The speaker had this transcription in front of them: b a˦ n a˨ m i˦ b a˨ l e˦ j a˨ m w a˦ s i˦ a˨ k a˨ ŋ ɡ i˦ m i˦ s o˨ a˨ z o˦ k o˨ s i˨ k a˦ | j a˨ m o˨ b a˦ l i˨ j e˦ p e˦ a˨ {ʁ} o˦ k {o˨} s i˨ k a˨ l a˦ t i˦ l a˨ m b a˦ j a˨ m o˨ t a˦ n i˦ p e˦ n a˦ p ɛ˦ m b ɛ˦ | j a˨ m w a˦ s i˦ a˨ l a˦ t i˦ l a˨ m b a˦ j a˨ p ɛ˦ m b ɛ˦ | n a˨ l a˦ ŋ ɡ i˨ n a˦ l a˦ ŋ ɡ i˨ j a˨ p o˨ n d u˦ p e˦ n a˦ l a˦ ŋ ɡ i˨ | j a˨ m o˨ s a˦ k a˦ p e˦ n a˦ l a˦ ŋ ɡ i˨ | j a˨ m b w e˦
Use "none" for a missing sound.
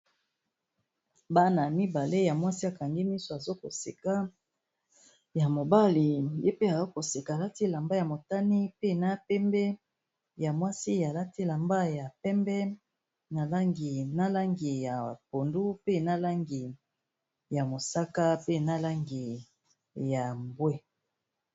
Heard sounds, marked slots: z, o˨

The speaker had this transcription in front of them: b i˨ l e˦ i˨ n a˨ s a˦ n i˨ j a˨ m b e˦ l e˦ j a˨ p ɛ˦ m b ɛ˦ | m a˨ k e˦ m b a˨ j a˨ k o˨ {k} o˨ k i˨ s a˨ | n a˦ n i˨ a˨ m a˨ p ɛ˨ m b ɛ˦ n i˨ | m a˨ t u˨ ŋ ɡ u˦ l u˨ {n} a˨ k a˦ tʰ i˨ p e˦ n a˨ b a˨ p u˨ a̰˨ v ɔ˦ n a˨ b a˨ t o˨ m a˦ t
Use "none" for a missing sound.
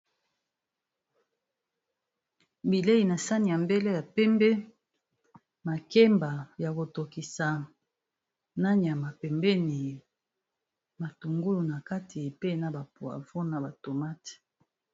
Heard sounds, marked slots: t, n

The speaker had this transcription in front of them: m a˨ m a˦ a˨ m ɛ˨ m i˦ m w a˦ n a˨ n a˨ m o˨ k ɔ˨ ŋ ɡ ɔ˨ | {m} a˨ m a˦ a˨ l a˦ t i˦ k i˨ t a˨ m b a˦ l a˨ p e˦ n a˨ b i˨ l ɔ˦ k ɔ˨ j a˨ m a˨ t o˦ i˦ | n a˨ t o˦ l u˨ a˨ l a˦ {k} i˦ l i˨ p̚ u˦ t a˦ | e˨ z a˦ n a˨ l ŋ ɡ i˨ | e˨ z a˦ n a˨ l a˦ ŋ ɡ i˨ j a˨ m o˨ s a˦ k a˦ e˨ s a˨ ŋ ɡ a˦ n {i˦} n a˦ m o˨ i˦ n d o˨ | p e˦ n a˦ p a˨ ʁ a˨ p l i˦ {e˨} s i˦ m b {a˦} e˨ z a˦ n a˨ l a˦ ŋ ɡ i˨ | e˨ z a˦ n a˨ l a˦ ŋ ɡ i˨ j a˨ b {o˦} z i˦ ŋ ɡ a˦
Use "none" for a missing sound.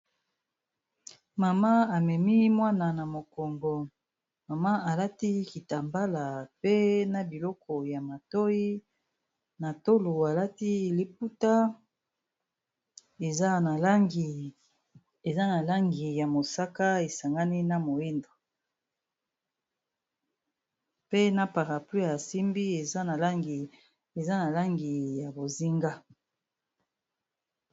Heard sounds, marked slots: m, t, i˦, a˨, i˦, o˨

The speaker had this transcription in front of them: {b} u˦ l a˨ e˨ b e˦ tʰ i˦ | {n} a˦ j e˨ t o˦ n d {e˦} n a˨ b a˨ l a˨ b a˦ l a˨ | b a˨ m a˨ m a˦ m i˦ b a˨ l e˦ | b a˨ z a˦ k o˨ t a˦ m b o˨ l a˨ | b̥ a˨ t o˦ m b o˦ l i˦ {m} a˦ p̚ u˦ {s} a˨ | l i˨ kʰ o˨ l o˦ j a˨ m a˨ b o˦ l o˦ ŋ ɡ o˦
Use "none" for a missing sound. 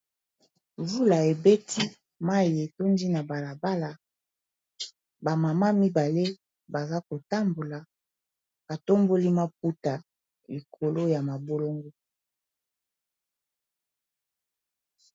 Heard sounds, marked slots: v, m, i˦, m, t

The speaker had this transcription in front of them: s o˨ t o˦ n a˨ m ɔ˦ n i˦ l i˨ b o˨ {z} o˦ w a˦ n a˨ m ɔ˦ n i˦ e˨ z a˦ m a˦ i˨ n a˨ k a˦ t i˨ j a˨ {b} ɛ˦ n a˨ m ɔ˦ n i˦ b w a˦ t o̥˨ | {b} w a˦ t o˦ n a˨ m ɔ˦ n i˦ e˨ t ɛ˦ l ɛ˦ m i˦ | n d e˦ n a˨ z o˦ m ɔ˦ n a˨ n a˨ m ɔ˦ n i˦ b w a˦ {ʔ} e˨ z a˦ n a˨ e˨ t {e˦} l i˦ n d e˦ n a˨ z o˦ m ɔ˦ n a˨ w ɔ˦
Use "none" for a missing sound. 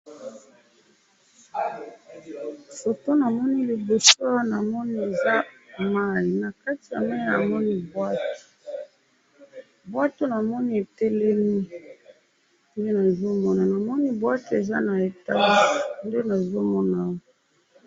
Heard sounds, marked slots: s, m, b, t, a˦

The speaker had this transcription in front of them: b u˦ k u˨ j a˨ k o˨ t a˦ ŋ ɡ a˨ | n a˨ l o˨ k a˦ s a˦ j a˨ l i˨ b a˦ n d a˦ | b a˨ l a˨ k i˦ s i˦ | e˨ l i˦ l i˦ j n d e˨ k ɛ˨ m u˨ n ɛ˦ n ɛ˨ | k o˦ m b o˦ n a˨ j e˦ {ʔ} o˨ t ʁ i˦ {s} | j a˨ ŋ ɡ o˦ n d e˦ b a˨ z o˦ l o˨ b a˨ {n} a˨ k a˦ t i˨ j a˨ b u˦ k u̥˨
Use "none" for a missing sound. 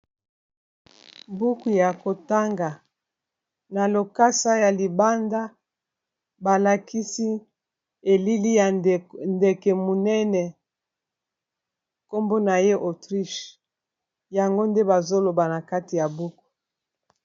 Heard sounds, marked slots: ʔ, ʃ, n

